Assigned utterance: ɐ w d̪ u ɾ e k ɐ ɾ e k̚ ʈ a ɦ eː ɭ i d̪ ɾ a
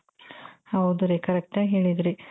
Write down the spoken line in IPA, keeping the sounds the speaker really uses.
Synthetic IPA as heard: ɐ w d̪ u ɾ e k ɐ ɾ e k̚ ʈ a ɦ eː ɭ i d̪ ɾ i